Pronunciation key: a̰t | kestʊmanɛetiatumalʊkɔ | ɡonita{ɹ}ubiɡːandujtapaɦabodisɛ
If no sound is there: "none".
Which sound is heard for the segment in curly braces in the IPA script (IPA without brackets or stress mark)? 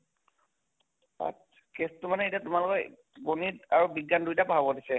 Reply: ɹ